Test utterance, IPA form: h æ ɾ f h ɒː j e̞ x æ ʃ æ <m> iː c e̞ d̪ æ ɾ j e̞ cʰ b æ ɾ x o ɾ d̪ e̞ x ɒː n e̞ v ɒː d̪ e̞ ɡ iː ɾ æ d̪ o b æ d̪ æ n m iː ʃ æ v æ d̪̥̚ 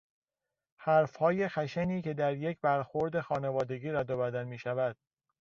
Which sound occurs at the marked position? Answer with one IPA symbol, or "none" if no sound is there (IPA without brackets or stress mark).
n